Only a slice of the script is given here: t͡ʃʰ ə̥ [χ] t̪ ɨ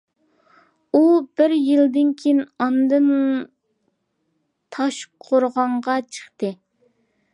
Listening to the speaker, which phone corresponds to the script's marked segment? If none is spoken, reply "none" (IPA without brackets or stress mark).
χ